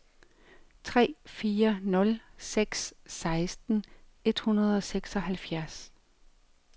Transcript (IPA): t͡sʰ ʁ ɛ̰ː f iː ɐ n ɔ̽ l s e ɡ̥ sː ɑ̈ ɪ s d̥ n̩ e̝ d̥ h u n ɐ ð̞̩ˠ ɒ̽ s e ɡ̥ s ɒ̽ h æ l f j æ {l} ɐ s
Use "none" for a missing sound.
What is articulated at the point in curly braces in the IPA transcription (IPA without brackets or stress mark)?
none